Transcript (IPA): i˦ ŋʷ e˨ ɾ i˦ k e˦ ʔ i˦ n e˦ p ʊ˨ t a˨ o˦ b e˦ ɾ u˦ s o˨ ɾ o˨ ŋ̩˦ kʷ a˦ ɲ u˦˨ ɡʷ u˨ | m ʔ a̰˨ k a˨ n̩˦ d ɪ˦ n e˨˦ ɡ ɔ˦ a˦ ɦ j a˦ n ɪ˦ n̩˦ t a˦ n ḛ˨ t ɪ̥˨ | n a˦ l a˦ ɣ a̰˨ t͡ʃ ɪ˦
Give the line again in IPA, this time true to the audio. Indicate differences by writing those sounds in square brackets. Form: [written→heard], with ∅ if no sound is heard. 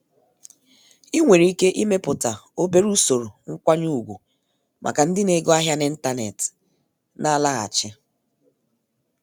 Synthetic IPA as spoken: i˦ ŋʷ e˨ ɾ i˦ k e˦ ʔ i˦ [n→m] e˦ p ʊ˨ t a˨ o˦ b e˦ ɾ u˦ s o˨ ɾ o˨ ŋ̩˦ kʷ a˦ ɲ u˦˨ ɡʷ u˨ | m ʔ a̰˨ k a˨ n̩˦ d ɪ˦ n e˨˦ ɡ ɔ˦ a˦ ɦ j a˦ n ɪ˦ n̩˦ t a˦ n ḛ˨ t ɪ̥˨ | n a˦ l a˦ ɣ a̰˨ t͡ʃ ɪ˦